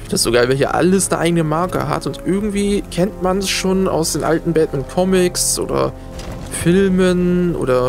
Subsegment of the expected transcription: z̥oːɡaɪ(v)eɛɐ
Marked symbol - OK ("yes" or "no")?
yes